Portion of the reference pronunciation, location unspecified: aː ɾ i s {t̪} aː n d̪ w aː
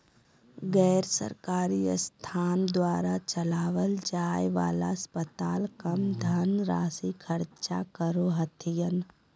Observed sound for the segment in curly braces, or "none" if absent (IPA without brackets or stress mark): t̪ʰ